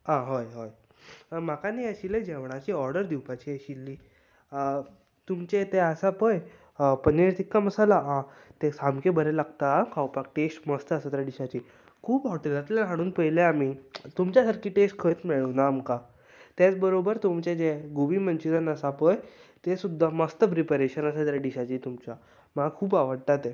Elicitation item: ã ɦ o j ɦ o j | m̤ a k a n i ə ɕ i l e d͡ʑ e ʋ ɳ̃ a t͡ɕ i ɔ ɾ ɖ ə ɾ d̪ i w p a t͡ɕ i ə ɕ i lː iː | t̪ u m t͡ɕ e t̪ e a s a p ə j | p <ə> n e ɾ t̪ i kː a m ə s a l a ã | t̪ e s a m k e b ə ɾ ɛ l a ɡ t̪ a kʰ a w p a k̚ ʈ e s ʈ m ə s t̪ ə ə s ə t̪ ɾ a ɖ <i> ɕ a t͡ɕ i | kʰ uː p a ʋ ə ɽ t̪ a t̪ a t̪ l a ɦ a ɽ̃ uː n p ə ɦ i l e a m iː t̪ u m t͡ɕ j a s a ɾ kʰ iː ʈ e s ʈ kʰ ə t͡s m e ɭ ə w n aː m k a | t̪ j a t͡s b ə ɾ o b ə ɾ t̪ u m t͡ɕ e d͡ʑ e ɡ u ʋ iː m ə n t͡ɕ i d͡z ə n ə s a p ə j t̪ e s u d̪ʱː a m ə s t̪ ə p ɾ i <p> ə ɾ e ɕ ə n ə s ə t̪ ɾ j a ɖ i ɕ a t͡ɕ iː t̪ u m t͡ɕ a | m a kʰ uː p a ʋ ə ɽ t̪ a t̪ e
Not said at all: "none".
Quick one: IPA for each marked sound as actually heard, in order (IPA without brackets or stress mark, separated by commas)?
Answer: ə, i, p